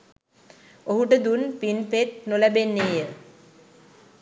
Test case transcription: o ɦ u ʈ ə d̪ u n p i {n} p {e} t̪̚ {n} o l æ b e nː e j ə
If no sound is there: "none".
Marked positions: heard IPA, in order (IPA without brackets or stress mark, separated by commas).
n, e, n